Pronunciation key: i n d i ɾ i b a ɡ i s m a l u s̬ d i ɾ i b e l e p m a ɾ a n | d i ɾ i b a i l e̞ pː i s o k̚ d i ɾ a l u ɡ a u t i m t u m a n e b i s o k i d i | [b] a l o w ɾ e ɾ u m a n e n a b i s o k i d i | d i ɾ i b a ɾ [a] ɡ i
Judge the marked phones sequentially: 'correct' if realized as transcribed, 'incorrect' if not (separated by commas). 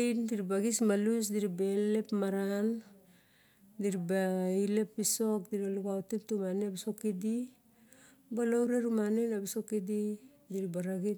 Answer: correct, correct